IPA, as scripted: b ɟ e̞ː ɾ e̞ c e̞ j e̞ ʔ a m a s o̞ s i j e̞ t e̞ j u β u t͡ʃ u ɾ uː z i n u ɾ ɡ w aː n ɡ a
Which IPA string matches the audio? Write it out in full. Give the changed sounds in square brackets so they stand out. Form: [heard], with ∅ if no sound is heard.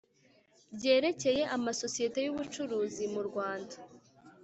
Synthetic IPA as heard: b ɟ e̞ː ɾ e̞ c e̞ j e̞ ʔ a m a s o̞ s i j e̞ t e̞ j u β u t͡ʃ u ɾ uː z i [m] u ɾ ɡ w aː n [d] a